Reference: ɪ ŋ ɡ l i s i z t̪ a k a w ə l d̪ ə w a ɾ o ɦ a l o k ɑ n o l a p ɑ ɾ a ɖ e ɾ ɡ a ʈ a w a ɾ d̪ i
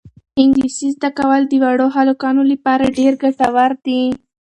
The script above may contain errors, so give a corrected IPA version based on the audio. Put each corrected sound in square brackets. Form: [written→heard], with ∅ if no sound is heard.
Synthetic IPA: ɪ ŋ ɡ l i s i z [t̪→d̪] a k a w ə l d̪ ə w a [ɾ→ɽ] o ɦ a l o k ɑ n o l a p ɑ ɾ a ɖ e ɾ ɡ a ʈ a w a ɾ d̪ i